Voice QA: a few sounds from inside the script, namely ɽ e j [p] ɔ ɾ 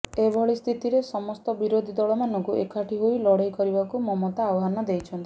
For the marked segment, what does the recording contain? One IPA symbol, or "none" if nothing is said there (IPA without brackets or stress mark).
k